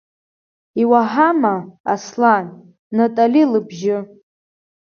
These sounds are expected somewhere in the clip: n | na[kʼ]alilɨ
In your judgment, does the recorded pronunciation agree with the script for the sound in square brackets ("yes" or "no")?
no